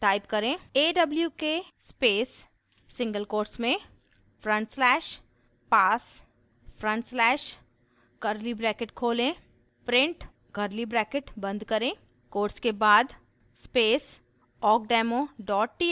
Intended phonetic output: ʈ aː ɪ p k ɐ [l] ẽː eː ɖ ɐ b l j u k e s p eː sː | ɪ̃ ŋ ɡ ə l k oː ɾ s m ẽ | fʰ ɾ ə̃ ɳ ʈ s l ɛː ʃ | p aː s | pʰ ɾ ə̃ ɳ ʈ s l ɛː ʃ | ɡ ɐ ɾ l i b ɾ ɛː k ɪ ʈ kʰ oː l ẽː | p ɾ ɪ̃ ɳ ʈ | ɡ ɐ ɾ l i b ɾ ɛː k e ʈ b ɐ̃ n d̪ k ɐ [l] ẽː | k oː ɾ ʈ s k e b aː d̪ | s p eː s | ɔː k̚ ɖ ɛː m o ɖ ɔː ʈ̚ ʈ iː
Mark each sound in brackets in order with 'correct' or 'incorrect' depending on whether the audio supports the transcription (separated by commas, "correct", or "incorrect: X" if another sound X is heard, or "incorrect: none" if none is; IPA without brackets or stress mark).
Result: incorrect: ɾ, incorrect: ɾ